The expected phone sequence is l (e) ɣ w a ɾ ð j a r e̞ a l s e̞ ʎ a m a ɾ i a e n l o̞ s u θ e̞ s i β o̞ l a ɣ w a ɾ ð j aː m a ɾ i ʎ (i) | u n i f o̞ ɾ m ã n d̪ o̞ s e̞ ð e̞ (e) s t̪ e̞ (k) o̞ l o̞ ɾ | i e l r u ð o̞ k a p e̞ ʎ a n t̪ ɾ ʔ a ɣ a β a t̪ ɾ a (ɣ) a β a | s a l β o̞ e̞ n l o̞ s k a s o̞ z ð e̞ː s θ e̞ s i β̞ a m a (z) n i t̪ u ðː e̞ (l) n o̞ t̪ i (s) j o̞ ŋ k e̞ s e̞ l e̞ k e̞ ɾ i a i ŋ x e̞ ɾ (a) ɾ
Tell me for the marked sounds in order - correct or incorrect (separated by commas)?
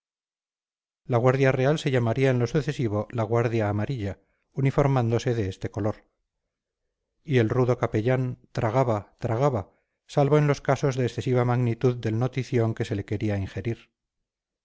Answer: incorrect, incorrect, correct, correct, correct, incorrect, correct, incorrect, incorrect